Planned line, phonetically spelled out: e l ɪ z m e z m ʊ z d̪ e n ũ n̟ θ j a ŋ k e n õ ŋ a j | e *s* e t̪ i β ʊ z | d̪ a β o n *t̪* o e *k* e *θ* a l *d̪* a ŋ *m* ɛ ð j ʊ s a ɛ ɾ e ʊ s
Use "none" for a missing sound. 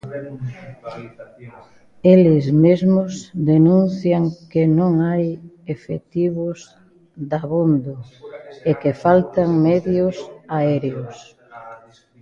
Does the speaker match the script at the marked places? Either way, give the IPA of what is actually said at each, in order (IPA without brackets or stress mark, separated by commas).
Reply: f, d̪, k, f, t̪, m